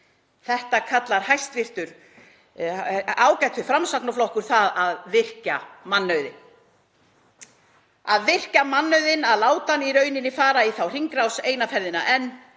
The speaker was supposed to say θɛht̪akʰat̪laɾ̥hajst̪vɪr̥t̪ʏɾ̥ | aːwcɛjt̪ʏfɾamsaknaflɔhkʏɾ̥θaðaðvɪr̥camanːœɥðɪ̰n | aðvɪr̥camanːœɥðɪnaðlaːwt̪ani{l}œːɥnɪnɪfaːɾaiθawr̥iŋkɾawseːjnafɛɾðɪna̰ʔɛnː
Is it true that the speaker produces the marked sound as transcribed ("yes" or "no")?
no